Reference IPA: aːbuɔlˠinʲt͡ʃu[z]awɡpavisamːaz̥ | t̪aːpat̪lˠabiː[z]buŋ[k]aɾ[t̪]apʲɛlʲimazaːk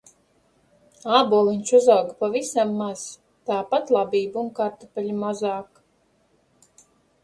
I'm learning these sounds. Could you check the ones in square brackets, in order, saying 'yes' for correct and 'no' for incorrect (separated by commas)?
yes, no, yes, yes